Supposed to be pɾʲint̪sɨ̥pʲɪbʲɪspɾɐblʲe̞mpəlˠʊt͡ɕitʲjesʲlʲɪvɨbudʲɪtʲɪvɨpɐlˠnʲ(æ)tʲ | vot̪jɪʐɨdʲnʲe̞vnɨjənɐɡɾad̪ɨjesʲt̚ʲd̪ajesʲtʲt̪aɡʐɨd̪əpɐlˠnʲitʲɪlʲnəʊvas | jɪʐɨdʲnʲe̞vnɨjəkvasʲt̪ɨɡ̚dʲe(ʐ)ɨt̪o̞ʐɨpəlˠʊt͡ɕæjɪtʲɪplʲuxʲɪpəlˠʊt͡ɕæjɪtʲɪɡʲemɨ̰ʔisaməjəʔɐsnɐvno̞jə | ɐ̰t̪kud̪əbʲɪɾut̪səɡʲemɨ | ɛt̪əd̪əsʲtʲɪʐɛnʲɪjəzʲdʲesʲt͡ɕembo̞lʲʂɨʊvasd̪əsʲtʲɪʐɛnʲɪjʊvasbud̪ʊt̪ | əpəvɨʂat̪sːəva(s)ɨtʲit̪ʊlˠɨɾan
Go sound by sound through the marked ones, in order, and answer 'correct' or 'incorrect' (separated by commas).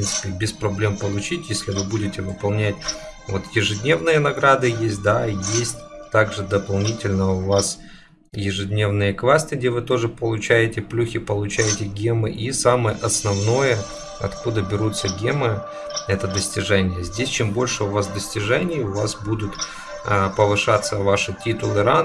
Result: correct, incorrect, incorrect